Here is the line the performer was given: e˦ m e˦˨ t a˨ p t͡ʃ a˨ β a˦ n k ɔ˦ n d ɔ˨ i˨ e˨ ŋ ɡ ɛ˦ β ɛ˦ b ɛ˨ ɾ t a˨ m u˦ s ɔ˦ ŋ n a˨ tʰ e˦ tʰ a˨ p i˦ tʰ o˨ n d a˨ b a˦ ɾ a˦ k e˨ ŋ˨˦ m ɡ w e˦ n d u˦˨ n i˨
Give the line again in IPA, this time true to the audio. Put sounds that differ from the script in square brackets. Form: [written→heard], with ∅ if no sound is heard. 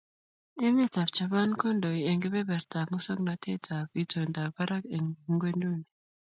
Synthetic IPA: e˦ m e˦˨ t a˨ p t͡ʃ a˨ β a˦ n k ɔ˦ n d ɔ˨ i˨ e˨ ŋ ɡ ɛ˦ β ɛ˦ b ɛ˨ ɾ t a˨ m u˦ s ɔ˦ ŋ n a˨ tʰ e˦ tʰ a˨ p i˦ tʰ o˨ n d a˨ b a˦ ɾ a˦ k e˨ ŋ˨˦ [m→ŋ] ɡ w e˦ n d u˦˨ n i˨